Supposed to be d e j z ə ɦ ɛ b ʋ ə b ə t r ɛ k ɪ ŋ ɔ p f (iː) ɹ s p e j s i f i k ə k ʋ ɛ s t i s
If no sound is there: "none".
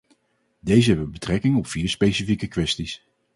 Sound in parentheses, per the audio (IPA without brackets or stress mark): iː